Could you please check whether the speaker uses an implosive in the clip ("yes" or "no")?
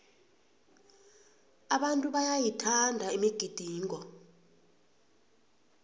yes